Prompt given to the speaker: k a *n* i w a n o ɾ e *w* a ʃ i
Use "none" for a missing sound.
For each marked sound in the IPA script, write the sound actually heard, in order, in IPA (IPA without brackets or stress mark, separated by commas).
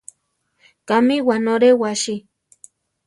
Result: m, w